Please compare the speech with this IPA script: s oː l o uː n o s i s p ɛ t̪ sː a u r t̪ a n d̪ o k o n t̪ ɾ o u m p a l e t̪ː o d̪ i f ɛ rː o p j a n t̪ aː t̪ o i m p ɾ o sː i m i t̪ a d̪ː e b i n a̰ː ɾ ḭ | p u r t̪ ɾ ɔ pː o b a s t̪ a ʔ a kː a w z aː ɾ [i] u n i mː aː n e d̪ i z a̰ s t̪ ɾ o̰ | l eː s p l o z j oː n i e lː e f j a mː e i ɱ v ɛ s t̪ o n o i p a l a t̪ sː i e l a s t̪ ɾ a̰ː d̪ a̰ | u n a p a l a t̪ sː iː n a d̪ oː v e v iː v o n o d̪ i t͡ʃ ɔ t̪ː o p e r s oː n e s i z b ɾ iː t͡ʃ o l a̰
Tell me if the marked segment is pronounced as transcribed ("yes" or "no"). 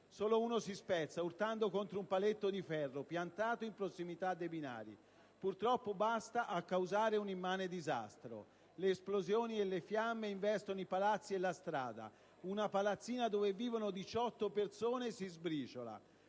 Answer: no